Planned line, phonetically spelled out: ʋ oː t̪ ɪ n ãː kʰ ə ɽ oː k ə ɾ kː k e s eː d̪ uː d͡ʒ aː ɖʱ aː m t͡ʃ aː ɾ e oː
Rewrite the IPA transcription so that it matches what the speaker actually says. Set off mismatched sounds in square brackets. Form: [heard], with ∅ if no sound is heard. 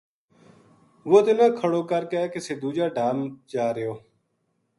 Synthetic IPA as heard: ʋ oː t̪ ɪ n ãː kʰ ə ɽ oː k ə ɾ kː k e s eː d̪ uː d͡ʒ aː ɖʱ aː m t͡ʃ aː ɾ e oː